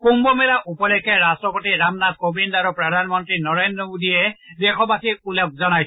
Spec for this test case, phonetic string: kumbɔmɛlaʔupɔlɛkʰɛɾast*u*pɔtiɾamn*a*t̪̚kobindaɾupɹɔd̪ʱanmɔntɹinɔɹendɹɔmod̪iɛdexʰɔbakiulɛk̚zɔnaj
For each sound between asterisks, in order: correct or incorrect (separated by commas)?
incorrect, correct